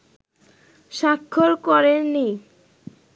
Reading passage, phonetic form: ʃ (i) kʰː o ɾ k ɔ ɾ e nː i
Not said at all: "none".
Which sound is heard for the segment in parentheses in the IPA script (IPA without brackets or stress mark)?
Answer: a